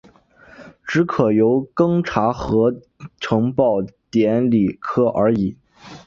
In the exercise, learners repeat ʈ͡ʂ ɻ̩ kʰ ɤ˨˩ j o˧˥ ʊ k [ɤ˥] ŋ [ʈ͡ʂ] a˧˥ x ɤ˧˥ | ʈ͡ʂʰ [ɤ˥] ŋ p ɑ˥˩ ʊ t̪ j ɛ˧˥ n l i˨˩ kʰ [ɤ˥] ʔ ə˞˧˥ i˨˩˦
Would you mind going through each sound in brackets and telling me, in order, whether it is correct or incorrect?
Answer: correct, incorrect: ʈ͡ʂʰ, incorrect: ɤ˧˥, correct

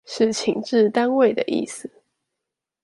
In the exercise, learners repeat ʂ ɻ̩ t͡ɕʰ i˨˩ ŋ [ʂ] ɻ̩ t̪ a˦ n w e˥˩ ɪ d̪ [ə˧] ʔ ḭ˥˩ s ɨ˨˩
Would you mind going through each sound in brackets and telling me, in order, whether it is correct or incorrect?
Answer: incorrect: ʈ͡ʂ, incorrect: ə˩

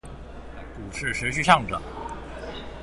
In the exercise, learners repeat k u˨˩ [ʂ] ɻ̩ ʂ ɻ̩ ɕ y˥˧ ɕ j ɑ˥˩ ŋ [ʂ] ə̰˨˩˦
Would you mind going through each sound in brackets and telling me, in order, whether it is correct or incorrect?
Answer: correct, incorrect: ʈ͡ʂ

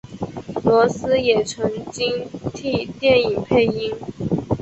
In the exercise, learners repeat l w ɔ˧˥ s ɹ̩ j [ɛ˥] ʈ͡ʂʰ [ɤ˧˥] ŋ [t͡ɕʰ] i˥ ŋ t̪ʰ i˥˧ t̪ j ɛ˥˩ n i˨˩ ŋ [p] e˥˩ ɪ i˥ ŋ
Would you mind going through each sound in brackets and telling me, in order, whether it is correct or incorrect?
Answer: incorrect: ɛ˨˩, correct, incorrect: t͡ɕ, incorrect: pʰ

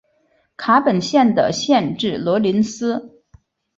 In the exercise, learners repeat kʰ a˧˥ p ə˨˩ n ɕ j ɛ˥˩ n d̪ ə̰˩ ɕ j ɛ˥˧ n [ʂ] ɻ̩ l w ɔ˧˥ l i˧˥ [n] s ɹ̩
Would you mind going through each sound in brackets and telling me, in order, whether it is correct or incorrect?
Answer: incorrect: ʈ͡ʂ, correct

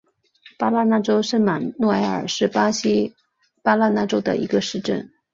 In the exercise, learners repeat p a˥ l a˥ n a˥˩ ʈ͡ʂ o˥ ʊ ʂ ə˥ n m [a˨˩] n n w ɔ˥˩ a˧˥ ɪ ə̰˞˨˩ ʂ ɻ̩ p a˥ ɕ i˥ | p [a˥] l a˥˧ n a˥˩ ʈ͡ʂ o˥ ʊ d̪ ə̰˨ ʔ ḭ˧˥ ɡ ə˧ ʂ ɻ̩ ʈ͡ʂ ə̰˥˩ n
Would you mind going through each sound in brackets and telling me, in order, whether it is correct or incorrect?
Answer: correct, correct

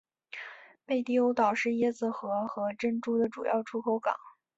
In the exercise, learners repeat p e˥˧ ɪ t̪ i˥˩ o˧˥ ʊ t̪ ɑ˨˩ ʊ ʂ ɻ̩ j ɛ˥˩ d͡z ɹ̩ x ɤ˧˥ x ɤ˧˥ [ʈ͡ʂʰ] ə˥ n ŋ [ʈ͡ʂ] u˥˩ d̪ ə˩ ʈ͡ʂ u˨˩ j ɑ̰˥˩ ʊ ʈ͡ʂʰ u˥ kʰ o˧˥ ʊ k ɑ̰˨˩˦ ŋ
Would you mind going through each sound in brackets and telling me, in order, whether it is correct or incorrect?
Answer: incorrect: ʈ͡ʂ, correct

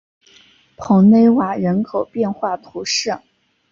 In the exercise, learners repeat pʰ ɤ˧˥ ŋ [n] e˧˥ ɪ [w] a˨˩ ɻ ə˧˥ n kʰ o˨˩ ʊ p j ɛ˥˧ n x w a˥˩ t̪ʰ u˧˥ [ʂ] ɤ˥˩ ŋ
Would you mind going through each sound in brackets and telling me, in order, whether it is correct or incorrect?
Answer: correct, correct, correct

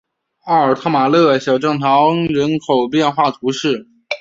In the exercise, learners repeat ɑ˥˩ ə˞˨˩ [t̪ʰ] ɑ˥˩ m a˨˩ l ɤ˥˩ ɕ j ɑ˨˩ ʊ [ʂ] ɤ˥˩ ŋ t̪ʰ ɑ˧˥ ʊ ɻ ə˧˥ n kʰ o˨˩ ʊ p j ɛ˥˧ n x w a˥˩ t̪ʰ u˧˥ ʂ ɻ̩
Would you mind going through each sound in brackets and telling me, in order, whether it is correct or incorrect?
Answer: correct, incorrect: ʈ͡ʂ

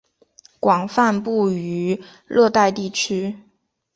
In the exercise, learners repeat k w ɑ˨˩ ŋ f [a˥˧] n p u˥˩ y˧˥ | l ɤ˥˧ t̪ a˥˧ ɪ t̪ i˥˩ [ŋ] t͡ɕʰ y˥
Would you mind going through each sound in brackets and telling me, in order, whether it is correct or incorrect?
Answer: correct, incorrect: none

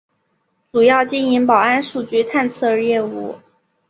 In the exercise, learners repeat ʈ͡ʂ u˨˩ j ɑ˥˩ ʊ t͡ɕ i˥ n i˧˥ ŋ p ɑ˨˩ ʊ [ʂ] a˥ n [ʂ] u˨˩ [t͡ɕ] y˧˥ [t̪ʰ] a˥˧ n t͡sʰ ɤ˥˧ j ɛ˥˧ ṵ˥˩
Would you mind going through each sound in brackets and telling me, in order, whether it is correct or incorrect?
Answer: incorrect: none, correct, correct, correct

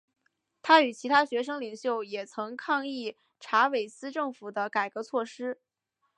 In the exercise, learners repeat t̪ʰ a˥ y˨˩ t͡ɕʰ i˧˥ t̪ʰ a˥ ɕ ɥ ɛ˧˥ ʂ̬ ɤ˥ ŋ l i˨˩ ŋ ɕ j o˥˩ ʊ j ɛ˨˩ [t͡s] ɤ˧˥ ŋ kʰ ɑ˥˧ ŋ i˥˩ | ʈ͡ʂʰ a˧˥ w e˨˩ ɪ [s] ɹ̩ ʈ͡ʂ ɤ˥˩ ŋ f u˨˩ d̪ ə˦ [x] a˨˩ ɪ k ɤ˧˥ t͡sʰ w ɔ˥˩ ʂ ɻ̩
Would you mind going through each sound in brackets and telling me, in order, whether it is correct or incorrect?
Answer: incorrect: t͡sʰ, correct, incorrect: k

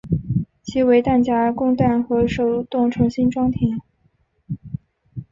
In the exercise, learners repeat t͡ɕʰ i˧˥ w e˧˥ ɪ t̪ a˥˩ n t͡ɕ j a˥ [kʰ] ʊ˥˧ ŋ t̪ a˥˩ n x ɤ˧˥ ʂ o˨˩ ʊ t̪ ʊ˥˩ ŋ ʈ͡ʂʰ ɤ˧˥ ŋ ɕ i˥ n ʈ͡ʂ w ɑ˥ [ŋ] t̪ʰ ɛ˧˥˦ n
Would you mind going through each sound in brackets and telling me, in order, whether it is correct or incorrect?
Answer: incorrect: k, correct

